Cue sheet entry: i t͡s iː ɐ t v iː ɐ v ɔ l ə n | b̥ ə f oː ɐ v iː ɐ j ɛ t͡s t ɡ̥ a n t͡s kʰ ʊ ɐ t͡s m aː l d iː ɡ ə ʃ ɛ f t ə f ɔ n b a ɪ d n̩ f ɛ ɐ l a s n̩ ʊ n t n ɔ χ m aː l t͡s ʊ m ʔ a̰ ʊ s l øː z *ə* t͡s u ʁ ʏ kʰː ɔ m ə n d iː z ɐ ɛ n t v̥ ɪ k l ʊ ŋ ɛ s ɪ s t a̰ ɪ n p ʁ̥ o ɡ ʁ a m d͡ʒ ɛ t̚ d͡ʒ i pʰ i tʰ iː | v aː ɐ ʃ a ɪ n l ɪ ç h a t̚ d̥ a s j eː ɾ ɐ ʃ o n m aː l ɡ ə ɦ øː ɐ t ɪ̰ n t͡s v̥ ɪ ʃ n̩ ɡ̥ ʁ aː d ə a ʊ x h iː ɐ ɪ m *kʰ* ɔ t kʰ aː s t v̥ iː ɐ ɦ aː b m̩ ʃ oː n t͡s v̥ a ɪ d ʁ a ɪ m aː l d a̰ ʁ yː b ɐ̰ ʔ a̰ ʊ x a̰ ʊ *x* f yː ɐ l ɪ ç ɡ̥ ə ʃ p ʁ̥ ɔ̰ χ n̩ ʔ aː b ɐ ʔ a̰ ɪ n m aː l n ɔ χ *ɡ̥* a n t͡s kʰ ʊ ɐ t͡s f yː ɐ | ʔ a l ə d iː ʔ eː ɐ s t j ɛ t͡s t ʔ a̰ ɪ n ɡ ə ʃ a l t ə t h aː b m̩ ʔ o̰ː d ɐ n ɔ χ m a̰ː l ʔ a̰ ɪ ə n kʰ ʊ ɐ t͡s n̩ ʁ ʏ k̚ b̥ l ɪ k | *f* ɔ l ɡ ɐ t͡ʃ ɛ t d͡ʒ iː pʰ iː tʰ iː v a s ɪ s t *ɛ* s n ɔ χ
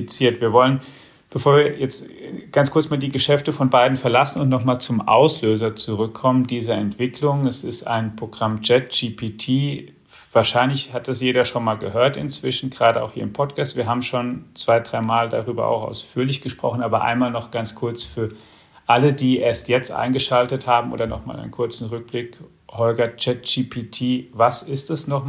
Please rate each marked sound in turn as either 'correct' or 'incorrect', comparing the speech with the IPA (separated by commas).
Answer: incorrect, incorrect, incorrect, correct, incorrect, correct